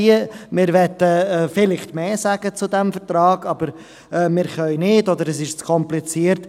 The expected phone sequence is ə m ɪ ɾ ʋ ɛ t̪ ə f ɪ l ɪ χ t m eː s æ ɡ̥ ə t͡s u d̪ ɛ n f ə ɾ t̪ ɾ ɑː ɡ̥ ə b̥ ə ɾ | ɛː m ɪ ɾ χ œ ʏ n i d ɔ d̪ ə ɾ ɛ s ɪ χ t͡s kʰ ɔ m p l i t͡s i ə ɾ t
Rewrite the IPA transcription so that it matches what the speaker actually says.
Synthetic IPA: ə m ɪ ɾ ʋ ɛ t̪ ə f ɪ l ɪ χ t m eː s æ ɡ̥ ə t͡s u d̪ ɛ m f ə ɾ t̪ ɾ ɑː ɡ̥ ɑ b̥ ə ɾ | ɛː m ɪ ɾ χ œ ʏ n ɪ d ɔ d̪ ə ɾ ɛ s ɪ ʃ t͡s kʰ ɔ m p l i t͡s i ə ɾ t